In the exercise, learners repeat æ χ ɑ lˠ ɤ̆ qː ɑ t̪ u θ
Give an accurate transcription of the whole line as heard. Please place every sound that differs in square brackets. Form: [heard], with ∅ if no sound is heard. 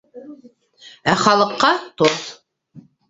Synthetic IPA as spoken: æ χ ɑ lˠ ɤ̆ qː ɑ t̪ [o] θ